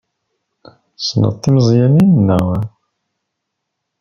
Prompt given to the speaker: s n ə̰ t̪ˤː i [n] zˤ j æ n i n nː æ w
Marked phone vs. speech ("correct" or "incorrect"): incorrect